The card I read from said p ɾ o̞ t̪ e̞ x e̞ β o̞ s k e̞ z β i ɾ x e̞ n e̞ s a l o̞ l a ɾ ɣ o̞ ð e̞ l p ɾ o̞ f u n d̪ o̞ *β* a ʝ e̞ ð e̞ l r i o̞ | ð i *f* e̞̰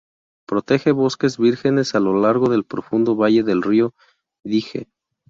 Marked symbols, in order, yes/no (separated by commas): yes, no